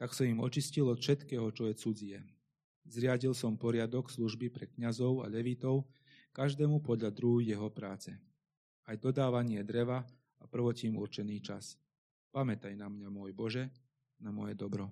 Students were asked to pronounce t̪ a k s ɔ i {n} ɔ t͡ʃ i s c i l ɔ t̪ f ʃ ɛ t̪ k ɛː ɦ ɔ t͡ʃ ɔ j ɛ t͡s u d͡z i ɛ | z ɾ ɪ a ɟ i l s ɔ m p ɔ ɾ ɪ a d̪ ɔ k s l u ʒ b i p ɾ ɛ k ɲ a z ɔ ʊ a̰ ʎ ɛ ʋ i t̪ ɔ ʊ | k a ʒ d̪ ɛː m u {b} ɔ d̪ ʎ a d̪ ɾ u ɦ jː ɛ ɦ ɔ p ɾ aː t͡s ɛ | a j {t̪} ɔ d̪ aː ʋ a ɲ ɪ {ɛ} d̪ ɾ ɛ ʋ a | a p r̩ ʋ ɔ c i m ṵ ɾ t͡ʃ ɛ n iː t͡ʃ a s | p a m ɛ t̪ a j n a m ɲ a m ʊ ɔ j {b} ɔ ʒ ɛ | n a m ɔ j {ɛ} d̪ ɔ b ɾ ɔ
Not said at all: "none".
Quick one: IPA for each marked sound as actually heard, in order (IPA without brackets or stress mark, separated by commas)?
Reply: m, p, d̪, ɛ, b, ɛ